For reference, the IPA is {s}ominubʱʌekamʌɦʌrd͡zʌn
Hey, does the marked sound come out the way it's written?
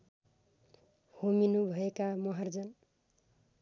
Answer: no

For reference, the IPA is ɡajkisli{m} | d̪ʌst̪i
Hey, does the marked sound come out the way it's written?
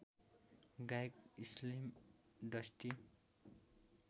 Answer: yes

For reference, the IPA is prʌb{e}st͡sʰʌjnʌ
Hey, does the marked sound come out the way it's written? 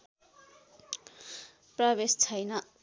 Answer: yes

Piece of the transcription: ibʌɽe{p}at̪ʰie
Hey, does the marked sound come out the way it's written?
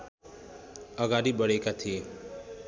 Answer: no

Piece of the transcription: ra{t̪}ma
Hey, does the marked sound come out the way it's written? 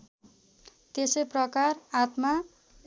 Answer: yes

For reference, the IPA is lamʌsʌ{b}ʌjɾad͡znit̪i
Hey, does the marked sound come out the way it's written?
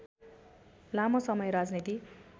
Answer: no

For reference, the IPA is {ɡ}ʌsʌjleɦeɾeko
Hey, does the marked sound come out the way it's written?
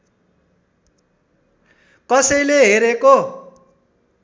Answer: no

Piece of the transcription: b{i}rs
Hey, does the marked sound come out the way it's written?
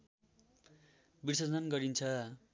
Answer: yes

